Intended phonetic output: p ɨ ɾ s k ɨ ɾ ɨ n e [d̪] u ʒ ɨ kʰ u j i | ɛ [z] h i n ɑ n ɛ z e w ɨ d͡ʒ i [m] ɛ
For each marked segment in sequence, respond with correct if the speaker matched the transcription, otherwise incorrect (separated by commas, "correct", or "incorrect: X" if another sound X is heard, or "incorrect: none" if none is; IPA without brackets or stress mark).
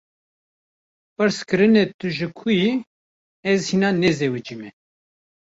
incorrect: t̪, correct, correct